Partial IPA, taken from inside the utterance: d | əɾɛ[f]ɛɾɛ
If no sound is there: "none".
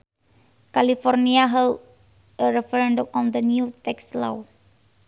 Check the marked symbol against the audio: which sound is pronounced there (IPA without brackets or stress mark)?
f